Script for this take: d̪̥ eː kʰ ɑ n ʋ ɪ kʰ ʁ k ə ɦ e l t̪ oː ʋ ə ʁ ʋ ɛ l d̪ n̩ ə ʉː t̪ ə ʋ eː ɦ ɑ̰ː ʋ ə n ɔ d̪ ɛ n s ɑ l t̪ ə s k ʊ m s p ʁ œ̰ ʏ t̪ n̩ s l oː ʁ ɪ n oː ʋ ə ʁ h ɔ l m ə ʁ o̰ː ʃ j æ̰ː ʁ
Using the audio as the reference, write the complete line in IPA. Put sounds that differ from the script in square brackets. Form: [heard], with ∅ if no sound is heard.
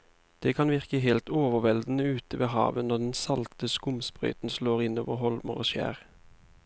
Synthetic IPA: d̪̥ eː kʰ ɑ n ʋ ɪ [∅] ʁ k ə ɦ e l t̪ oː ʋ ə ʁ ʋ ɛ l d̪ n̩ ə ʉː t̪ ə ʋ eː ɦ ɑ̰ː ʋ ə n ɔ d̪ ɛ n s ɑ l t̪ ə s k ʊ m s p ʁ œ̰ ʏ t̪ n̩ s l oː ʁ ɪ n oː ʋ ə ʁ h ɔ l m ə ʁ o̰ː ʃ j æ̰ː ʁ